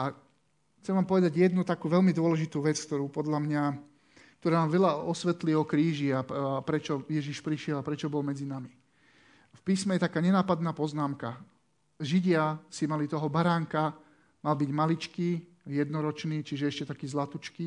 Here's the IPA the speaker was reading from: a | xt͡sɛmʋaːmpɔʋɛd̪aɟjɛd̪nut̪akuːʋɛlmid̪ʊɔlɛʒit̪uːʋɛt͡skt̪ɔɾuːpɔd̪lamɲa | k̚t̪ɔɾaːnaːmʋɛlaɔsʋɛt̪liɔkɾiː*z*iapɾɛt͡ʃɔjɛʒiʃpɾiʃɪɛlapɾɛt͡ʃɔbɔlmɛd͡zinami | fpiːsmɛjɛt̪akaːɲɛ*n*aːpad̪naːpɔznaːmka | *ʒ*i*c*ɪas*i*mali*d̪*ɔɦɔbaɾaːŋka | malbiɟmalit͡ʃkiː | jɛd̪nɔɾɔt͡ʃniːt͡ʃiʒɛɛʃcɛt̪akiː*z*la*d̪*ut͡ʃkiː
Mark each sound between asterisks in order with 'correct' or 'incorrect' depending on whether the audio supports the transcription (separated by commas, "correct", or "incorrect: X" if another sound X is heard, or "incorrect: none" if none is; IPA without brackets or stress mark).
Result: incorrect: ʒ, correct, correct, incorrect: ɟ, correct, incorrect: t̪, correct, incorrect: t̪